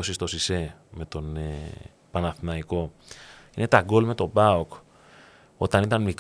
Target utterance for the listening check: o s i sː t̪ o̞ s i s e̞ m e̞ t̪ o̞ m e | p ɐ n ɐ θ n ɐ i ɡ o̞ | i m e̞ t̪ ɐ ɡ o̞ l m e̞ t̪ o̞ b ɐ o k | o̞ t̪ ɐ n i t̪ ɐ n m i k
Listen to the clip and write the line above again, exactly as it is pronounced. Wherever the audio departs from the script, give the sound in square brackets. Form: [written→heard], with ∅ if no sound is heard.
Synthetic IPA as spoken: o s i [sː→s] t̪ o̞ s i s e̞ m e̞ t̪ o̞ [m→n] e | p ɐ n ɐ θ n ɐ i [ɡ→k] o̞ | i [m→n] e̞ t̪ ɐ ɡ o̞ l m e̞ t̪ o̞ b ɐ o k | o̞ t̪ ɐ n i t̪ ɐ n m i k